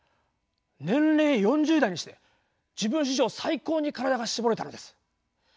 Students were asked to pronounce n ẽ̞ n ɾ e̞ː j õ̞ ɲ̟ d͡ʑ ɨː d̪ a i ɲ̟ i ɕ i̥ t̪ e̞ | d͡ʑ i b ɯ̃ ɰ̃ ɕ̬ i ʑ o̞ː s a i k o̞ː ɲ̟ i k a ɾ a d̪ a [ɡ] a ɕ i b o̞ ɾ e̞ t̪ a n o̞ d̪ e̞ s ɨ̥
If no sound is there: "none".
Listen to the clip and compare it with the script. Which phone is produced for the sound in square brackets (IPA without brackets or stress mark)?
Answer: ɡ